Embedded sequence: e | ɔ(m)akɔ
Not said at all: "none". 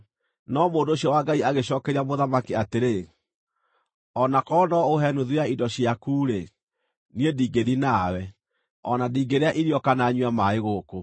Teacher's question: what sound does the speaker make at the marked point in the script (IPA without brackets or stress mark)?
n